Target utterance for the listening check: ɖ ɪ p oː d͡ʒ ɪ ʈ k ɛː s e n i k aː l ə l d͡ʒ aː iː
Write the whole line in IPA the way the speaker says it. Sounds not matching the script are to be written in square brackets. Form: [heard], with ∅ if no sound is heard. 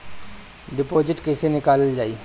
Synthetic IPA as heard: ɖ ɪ p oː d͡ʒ ɪ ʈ k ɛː s e n [ɪ] k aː l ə l d͡ʒ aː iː